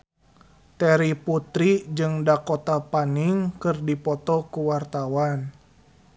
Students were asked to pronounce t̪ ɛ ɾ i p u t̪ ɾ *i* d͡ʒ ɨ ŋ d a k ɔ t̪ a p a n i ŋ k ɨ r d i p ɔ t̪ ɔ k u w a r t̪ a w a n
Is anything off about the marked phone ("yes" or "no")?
no